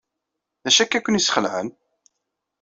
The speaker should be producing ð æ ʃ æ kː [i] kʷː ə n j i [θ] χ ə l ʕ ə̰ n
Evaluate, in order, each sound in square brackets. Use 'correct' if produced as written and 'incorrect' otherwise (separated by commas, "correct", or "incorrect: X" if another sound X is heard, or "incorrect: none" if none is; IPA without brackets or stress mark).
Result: incorrect: æ, incorrect: s